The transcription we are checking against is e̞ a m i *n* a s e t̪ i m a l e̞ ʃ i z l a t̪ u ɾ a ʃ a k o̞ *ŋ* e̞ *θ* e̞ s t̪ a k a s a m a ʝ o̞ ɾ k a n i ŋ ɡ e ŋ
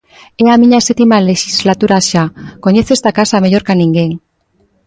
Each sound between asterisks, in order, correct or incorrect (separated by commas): incorrect, incorrect, correct